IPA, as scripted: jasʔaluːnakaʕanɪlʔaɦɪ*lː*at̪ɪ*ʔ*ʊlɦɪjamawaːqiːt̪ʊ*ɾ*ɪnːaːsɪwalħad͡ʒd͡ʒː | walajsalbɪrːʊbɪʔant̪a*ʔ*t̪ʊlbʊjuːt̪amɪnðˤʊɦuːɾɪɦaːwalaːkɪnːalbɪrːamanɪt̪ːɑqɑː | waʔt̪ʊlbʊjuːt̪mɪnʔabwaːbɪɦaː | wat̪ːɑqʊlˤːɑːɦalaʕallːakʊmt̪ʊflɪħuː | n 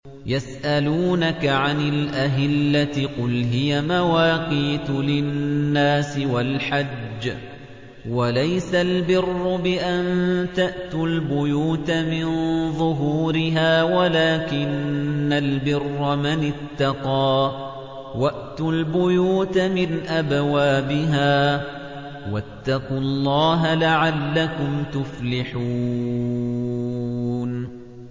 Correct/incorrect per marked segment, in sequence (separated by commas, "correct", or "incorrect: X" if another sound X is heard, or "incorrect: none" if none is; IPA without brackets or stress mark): correct, incorrect: q, incorrect: l, correct